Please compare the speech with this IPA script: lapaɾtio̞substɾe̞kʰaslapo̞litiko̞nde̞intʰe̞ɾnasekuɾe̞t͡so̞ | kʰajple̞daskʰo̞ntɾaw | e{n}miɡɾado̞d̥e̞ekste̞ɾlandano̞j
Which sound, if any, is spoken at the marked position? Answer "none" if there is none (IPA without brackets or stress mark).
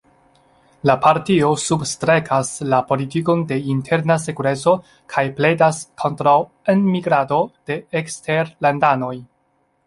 n